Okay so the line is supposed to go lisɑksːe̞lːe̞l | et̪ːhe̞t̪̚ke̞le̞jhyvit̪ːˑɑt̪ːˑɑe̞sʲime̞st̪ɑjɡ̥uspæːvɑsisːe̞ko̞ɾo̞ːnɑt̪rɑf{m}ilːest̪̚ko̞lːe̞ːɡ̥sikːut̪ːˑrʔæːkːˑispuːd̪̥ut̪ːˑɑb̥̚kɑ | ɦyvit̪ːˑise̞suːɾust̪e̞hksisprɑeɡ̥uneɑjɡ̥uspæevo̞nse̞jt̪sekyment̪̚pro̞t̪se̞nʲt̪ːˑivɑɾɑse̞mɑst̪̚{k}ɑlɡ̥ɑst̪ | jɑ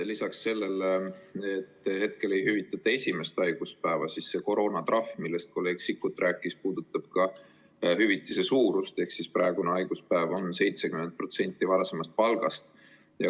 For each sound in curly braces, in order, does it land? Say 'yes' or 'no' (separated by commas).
yes, no